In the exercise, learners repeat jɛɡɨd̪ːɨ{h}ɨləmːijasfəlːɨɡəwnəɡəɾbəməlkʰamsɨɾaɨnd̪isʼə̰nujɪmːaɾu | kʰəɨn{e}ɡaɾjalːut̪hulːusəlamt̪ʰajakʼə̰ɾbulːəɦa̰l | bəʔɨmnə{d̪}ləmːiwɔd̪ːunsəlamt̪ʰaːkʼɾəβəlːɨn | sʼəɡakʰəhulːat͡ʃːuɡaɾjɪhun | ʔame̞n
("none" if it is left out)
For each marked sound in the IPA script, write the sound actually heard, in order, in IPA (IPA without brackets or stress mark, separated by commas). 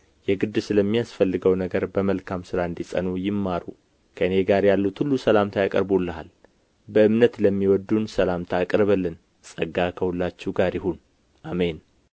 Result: s, e, t̪